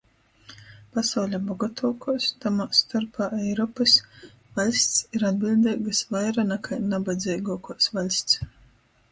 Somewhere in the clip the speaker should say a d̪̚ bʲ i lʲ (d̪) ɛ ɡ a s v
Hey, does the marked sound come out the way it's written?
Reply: yes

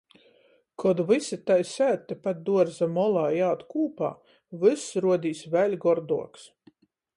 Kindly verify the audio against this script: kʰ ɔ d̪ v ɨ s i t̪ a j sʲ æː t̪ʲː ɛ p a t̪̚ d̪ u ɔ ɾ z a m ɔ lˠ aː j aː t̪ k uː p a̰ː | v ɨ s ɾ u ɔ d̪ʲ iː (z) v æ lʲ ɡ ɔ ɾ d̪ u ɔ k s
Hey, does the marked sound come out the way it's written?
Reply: no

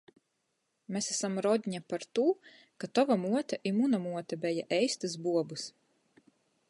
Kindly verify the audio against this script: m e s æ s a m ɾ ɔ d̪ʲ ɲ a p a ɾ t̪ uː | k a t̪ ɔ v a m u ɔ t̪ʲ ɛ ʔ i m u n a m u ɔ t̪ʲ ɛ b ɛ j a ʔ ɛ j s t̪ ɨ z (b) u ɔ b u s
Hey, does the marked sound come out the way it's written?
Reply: yes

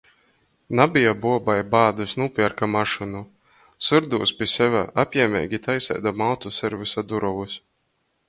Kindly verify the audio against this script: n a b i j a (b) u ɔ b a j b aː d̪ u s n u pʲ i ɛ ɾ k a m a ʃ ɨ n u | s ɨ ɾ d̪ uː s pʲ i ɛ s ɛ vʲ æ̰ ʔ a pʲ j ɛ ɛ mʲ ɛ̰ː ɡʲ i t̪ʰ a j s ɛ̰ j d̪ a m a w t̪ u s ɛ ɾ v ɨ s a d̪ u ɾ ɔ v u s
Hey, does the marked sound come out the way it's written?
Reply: yes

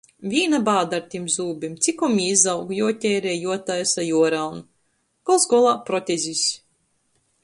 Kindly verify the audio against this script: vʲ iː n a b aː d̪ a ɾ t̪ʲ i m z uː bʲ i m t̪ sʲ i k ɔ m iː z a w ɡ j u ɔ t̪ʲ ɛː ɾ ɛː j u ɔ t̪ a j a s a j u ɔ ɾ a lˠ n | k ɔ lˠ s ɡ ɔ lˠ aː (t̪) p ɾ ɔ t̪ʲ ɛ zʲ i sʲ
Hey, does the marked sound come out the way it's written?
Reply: no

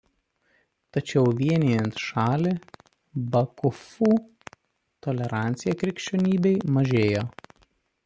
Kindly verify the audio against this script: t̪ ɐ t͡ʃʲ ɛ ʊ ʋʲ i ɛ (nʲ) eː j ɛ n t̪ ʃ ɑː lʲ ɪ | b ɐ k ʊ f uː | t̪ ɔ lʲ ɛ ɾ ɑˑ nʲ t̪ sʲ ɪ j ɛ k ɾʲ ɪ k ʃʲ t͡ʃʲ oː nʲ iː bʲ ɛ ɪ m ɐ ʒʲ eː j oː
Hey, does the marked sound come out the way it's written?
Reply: yes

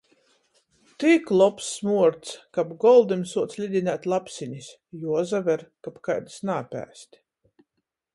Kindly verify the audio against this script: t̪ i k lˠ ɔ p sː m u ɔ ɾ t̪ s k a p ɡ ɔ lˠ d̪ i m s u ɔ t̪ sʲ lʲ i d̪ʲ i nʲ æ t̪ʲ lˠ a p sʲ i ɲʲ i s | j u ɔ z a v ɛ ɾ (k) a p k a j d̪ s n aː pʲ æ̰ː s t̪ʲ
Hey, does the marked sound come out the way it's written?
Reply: yes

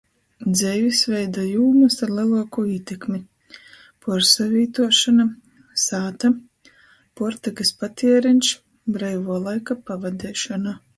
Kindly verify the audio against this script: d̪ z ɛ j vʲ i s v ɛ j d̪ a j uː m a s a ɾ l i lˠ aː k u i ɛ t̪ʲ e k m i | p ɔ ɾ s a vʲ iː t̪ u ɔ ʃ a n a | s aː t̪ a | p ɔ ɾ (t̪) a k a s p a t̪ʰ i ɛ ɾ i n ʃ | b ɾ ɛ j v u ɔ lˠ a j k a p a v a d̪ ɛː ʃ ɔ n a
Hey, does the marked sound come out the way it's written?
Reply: yes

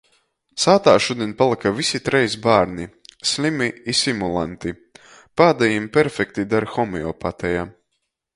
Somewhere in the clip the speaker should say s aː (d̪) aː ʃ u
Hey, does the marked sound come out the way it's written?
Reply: no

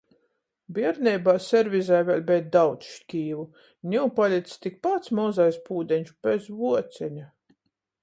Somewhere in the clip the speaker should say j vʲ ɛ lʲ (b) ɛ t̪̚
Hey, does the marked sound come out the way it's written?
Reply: yes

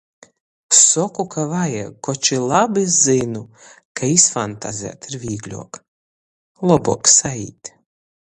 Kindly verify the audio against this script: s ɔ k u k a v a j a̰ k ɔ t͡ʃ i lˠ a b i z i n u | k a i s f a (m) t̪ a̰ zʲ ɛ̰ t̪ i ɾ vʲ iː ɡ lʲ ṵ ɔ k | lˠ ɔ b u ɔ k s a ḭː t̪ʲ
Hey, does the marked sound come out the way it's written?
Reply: no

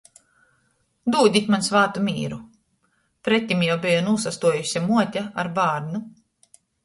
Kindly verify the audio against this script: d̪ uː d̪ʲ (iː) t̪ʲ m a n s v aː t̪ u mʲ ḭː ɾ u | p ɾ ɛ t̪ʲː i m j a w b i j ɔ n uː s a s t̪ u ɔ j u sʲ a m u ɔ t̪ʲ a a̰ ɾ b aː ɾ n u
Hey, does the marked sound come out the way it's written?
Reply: no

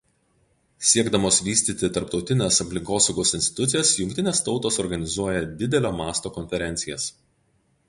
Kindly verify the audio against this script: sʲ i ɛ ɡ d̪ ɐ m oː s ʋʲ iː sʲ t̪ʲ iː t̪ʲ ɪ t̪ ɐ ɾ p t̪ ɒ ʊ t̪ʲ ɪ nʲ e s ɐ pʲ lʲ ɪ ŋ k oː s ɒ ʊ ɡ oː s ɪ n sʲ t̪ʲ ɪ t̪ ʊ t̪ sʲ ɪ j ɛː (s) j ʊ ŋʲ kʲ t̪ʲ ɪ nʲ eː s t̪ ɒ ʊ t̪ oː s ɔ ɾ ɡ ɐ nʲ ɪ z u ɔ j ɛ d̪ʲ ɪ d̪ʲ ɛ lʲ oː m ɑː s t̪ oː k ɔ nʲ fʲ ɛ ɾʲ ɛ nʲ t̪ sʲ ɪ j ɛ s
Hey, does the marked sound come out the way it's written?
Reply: yes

